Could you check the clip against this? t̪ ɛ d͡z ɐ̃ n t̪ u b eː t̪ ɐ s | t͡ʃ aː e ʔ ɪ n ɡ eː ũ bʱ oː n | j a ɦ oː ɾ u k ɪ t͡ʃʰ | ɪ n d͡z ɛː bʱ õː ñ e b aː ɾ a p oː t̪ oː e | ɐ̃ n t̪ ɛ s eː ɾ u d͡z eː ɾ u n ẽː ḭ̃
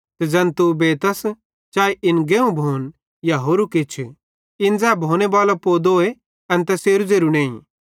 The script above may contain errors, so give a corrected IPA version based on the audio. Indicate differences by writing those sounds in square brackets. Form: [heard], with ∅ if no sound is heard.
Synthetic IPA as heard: t̪ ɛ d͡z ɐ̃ n t̪ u b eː t̪ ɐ s | t͡ʃ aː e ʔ ɪ n ɡ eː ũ bʱ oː n | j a ɦ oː ɾ u k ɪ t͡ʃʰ | ɪ n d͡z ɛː bʱ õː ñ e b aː [l] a p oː [d̪] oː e | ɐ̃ n t̪ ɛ s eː ɾ u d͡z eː ɾ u n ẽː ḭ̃